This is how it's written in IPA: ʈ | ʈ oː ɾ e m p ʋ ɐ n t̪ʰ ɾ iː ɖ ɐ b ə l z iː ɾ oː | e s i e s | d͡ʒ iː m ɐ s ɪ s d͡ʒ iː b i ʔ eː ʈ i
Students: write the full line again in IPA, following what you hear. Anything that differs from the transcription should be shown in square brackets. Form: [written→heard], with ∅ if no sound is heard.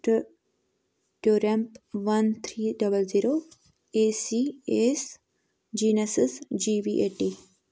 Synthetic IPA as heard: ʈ | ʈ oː ɾ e m p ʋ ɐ n t̪ʰ ɾ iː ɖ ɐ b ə l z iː ɾ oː | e s i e s | d͡ʒ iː [m→n] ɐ s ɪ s d͡ʒ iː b i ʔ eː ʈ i

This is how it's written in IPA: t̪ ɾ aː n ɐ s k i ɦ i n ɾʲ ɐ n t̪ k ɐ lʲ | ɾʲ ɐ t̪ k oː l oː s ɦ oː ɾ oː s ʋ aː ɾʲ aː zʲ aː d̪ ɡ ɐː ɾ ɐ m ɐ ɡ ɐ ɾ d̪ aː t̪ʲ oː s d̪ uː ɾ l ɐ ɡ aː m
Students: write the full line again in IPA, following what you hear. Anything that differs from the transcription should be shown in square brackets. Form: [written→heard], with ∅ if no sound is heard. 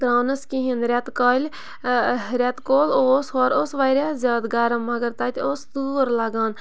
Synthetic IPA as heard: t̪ ɾ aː n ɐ s k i ɦ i n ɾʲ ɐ [n→∅] t̪ k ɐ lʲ | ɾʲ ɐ t̪ k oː l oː s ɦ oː ɾ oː s ʋ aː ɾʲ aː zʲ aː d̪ ɡ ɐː ɾ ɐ m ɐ ɡ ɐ ɾ [d̪→t̪] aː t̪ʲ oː s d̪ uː ɾ l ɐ ɡ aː [m→n]

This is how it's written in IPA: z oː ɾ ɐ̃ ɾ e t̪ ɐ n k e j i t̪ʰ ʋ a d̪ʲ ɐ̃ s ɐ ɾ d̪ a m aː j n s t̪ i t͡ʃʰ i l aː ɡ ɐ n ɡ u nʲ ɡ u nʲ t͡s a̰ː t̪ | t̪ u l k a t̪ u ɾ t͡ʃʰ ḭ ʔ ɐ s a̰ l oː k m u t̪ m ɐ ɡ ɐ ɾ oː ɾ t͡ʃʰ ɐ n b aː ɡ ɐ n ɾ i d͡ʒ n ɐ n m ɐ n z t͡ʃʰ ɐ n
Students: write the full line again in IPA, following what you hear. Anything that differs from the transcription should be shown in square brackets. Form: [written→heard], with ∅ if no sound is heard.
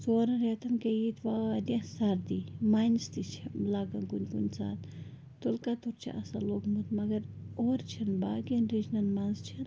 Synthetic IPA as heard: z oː ɾ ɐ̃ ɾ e t̪ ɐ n k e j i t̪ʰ ʋ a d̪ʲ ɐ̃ s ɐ ɾ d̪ [a→i] m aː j n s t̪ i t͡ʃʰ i l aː ɡ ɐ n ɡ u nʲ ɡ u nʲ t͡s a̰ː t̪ | t̪ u l k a t̪ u ɾ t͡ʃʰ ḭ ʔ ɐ s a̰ l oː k m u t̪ m ɐ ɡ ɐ ɾ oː ɾ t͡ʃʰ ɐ n b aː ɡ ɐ n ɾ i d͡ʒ n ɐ n m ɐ n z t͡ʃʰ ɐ n

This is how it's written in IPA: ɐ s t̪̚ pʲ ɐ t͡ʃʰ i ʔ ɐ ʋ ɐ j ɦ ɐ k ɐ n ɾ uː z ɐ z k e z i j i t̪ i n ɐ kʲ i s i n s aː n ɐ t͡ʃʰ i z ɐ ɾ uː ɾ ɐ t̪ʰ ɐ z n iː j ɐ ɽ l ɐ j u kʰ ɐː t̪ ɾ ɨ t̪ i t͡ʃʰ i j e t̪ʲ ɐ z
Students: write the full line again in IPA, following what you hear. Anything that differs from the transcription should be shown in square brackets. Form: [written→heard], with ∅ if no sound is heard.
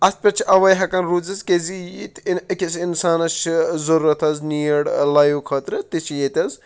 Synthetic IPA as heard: ɐ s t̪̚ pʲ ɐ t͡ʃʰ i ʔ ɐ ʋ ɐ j ɦ ɐ k ɐ n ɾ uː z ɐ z k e z i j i t̪ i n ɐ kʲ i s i n s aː n ɐ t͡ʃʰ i z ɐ ɾ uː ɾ ɐ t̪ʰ ɐ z n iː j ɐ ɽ l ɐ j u kʰ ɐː t̪ ɾ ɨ t̪ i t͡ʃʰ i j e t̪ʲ ɐ z

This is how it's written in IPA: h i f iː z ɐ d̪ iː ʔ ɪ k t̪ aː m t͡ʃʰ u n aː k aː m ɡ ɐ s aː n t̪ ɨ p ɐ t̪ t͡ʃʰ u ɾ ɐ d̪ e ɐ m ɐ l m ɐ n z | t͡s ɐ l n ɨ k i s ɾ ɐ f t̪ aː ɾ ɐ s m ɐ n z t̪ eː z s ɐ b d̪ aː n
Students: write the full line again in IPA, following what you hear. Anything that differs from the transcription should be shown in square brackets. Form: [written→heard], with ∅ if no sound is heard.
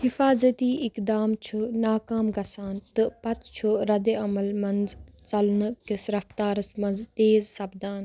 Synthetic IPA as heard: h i f [iː→aː] z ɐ [d̪→t̪] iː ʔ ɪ k [t̪→d̪] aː m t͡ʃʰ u n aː k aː m ɡ ɐ s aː n t̪ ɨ p ɐ t̪ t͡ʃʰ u ɾ ɐ d̪ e ɐ m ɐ l m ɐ n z | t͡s ɐ l n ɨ k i s ɾ ɐ f t̪ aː ɾ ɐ s m ɐ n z t̪ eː z s ɐ b d̪ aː n

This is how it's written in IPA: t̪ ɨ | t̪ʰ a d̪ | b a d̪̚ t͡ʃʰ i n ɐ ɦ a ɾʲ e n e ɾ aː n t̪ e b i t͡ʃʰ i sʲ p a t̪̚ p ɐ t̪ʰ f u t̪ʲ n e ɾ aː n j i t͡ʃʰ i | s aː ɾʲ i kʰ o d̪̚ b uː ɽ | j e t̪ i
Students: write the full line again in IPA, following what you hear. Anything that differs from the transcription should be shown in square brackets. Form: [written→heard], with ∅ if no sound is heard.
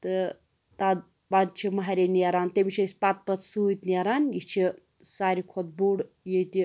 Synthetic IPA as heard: t̪ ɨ | [t̪ʰ→t̪] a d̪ | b a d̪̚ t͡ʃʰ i [n→m] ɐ ɦ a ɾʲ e n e ɾ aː n t̪ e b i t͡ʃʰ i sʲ p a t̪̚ p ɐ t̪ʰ [f→s] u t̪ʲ n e ɾ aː n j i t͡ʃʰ i | s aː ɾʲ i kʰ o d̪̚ b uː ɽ | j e t̪ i

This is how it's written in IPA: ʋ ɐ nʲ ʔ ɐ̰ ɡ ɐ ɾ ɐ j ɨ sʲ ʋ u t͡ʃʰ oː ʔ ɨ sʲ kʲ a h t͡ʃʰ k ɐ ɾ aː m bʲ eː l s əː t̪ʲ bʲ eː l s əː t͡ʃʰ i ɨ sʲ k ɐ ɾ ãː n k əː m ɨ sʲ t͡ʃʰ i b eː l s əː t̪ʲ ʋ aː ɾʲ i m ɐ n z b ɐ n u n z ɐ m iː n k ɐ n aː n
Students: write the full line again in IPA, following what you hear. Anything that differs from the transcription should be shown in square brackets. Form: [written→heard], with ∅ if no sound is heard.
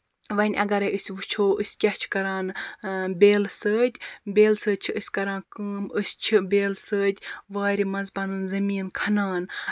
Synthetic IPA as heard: ʋ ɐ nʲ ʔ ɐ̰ ɡ ɐ ɾ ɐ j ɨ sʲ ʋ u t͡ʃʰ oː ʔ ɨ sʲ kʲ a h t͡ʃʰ k ɐ ɾ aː [m→n] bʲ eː l s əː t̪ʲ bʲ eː l s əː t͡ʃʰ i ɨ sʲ k ɐ ɾ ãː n k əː m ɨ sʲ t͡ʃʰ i b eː l s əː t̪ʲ ʋ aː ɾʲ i m ɐ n z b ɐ n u n z ɐ m iː n [k→kʰ] ɐ n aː n

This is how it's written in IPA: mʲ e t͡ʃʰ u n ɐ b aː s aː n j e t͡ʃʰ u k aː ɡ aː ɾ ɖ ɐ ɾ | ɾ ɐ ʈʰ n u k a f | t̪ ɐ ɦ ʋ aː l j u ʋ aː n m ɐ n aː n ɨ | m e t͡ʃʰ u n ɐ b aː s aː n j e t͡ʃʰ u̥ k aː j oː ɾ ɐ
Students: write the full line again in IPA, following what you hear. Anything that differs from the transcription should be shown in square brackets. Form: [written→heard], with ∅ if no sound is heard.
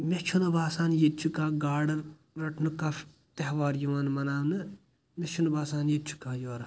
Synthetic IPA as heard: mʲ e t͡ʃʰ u n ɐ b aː s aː n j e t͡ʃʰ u k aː ɡ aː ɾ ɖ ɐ ɾ | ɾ ɐ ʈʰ n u k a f | t̪ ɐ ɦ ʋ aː [l→ɾ] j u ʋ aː n m ɐ n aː n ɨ | m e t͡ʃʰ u n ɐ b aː s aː n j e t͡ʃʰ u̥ k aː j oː ɾ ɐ

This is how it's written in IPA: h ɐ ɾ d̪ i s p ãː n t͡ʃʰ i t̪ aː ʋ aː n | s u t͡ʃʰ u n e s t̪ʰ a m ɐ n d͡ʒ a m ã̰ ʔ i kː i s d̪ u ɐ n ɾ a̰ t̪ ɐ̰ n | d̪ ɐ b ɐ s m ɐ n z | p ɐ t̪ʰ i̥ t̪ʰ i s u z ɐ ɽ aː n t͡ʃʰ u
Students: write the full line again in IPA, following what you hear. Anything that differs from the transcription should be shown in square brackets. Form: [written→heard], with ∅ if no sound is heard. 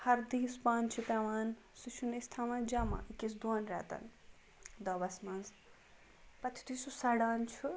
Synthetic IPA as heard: h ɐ ɾ d̪ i s p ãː n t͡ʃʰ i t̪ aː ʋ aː n | s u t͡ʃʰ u n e s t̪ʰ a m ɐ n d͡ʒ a m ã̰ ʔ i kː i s d̪ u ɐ n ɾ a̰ t̪ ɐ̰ n | d̪ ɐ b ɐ s m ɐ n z | p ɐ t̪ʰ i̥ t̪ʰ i s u [z→s] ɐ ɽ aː n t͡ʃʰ u

